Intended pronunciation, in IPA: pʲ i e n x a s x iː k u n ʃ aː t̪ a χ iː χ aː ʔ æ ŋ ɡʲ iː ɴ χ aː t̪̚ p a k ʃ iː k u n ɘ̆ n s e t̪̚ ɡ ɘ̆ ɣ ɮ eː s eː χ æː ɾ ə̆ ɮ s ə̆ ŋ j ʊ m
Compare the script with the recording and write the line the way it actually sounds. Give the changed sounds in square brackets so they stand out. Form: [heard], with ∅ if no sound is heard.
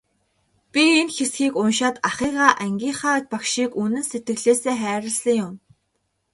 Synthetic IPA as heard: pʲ i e n x [e] s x iː k [ʊ] n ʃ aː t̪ a χ iː [ʁ] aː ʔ æ ŋ ɡʲ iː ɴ χ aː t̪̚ p a k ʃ iː k u n ɘ̆ n s e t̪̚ ɡ ɘ̆ ɣ ɮ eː s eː χ æː ɾ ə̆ ɮ s ə̆ ŋ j ʊ m